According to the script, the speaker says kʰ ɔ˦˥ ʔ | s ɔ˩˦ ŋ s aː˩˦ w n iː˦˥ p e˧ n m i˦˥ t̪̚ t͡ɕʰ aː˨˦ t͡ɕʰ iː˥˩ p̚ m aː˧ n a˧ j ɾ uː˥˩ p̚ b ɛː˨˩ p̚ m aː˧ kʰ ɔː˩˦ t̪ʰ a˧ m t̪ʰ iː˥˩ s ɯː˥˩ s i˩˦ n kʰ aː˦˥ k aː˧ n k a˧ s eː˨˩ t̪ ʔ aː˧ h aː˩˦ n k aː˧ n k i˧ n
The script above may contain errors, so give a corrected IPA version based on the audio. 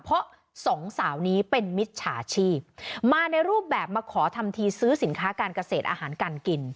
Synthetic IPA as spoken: pʰ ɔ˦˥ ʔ | s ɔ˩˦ ŋ s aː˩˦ w n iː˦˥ p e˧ n m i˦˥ t̪̚ t͡ɕʰ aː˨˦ t͡ɕʰ iː˥˩ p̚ m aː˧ n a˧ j ɾ uː˥˩ p̚ b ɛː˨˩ p̚ m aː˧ kʰ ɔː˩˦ t̪ʰ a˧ m t̪ʰ iː˧ s ɯː˦˥ s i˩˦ n kʰ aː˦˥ k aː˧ n k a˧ s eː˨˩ t̪ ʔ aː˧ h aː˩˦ n k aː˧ n k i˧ n